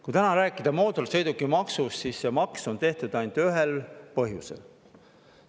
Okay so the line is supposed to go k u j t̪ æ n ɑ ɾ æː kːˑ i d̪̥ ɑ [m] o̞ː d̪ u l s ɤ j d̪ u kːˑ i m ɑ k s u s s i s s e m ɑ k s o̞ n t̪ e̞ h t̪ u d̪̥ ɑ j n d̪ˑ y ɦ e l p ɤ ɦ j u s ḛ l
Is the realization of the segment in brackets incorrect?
no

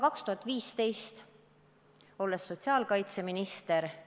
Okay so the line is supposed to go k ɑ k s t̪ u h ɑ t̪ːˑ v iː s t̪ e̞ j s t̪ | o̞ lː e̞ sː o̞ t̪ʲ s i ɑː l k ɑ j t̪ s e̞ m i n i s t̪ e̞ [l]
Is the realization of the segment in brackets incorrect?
yes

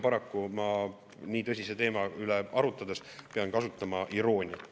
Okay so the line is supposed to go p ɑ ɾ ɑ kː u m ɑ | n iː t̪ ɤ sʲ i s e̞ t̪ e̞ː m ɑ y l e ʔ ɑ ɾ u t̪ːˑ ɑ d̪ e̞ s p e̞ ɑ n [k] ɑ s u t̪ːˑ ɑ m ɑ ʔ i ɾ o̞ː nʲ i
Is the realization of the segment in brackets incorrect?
no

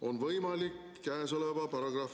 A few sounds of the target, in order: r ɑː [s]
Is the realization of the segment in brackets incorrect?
yes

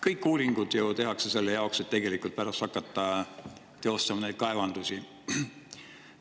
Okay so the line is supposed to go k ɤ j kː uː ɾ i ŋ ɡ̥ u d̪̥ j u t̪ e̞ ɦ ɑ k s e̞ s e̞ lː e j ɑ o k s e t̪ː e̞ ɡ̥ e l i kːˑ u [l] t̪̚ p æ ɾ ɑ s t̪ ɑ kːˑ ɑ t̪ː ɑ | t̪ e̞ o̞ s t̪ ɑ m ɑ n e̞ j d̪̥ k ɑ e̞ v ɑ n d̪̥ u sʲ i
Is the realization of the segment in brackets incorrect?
no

